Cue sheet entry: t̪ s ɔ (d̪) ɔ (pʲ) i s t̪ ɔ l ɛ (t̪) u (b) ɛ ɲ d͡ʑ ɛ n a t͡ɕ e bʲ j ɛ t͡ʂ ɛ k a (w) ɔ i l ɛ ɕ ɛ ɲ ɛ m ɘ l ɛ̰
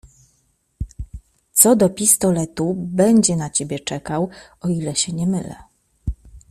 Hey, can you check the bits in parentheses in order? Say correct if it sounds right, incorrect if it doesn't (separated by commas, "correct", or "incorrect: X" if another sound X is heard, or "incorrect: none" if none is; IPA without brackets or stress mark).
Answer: correct, correct, correct, correct, correct